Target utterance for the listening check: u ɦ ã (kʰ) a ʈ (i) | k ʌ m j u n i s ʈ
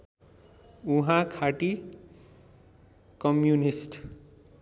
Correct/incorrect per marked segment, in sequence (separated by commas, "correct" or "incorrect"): correct, correct